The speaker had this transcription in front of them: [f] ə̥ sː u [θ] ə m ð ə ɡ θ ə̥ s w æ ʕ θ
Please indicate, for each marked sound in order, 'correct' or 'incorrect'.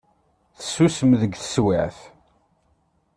incorrect, incorrect

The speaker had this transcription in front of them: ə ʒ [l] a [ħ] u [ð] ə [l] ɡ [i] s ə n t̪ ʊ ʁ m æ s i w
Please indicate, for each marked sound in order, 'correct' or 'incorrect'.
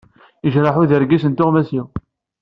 incorrect, correct, correct, incorrect, correct

